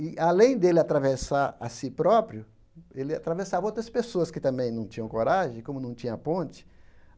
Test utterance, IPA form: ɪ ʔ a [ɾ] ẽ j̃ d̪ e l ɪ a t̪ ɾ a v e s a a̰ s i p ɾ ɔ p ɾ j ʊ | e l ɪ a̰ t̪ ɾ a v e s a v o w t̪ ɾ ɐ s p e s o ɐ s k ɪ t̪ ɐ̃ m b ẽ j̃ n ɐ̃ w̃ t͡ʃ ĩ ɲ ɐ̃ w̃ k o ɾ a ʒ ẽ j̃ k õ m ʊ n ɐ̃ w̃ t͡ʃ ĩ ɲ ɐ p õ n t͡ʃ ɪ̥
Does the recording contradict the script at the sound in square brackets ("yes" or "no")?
yes